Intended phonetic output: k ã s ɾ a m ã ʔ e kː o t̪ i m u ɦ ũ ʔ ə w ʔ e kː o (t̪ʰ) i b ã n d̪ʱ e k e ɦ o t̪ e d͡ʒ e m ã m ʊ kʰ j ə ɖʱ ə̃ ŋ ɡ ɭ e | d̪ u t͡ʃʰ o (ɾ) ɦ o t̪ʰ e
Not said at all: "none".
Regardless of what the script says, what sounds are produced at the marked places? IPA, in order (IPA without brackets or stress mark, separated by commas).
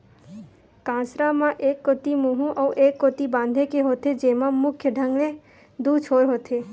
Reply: t̪, ɾ